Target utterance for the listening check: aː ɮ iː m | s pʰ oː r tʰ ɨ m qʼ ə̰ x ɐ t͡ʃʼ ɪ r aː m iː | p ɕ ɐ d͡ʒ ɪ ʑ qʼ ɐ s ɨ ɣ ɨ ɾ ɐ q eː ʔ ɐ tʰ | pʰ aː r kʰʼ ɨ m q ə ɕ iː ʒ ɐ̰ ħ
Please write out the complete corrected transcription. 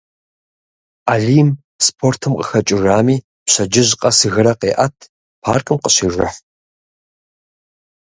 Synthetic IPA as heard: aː ɮ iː m | s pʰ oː r tʰ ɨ m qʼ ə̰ x ɐ t͡ʃʼ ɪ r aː m iː | p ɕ ɐ d͡ʒ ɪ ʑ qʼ ɐ s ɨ ɣ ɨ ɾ ɐ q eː ʔ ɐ tʰ | pʰ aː r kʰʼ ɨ m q ə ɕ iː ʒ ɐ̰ ħ